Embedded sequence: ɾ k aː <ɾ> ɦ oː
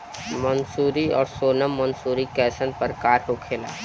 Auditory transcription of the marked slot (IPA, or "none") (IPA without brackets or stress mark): ɾ